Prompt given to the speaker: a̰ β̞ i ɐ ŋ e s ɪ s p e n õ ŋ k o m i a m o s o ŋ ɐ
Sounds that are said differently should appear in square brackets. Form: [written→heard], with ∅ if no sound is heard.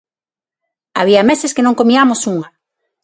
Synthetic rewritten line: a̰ β̞ i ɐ [ŋ→m] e s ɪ s [p→k] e n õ ŋ k o m i a m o s [o→u] ŋ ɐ